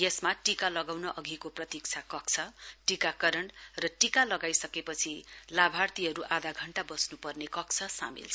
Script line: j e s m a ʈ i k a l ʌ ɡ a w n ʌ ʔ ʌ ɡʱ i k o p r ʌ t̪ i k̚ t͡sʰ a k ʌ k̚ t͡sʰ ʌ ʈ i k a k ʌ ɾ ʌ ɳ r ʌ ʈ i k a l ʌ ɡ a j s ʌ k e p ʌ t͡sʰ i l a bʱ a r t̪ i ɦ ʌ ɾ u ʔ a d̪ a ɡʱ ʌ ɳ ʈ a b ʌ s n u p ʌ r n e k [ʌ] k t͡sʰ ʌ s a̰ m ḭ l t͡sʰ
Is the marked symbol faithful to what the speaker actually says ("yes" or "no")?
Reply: yes